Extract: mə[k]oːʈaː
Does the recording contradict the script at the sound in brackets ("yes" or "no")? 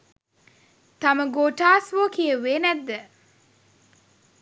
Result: yes